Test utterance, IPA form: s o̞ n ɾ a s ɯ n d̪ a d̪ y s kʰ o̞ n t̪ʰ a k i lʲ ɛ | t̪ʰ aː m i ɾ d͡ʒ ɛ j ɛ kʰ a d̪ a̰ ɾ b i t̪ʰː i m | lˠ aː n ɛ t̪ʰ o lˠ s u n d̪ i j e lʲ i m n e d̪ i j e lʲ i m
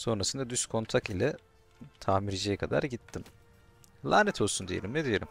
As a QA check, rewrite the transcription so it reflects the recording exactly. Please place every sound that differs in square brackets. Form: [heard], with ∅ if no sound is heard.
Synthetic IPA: s o̞ n ɾ a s ɯ n d̪ a d̪ y s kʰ o̞ n t̪ʰ a k i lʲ ɛ | t̪ʰ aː m i ɾ d͡ʒ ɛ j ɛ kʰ a d̪ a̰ ɾ [ɟ] i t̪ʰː i m | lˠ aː n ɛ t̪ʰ o lˠ s u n d̪ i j e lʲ i m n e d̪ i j e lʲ i m